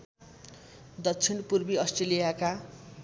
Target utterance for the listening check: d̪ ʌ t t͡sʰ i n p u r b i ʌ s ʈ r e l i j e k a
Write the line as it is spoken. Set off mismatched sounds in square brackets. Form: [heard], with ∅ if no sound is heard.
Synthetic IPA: d̪ ʌ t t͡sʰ i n p u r b i ʌ s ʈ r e l i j [a] k a